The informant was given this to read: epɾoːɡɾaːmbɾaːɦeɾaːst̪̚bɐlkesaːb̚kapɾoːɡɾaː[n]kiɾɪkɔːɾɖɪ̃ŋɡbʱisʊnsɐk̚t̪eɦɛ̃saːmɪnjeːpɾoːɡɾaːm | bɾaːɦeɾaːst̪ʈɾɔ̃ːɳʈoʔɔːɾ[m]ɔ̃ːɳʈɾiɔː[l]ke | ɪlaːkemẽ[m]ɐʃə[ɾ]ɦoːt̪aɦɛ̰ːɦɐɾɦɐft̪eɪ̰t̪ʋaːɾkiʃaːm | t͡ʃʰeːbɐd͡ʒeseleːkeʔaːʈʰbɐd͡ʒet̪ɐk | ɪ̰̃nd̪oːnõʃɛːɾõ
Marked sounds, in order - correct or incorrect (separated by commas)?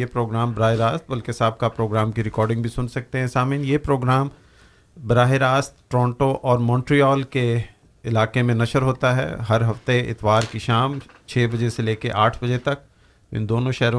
incorrect, correct, correct, incorrect, correct